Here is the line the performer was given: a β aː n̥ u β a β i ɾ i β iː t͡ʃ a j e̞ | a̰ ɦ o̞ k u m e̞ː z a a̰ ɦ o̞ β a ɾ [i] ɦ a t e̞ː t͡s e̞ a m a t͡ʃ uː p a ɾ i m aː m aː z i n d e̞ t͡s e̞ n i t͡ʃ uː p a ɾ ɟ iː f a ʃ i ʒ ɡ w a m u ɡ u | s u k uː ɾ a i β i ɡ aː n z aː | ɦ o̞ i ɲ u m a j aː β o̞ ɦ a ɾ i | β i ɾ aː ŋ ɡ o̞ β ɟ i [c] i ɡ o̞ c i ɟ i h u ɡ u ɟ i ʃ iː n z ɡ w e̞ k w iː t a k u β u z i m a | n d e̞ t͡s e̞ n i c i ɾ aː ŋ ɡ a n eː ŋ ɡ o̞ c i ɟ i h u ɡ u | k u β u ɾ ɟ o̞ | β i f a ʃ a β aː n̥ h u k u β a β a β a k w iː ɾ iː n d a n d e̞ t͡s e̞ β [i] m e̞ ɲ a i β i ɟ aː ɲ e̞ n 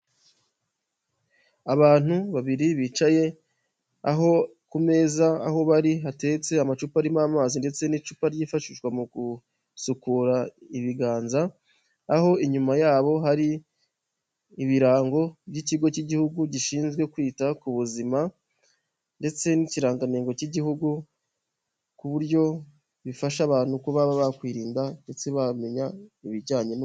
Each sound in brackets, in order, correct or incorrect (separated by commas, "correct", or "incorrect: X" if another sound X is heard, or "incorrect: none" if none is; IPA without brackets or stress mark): correct, correct, incorrect: a